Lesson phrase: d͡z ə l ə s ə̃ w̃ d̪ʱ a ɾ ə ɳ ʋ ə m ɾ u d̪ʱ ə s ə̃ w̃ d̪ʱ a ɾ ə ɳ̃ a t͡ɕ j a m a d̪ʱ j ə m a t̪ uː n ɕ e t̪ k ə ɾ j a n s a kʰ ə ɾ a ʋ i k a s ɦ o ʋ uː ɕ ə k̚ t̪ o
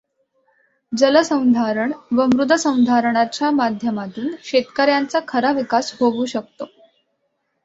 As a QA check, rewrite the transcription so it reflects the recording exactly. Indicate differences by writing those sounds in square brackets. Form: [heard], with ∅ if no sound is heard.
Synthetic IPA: d͡z ə l ə s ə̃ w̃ d̪ʱ a ɾ ə ɳ ʋ ə m ɾ u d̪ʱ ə s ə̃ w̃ d̪ʱ a ɾ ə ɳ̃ a t͡ɕ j a m a d̪ʱ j ə m a t̪ uː n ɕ e t̪ k ə ɾ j a n [t͡s] a kʰ ə ɾ a ʋ i k a s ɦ o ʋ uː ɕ ə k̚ t̪ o